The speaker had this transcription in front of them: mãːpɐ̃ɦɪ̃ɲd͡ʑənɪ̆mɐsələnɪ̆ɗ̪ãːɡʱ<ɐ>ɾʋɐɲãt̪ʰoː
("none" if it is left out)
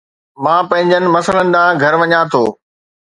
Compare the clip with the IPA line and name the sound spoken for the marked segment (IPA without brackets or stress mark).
ɐ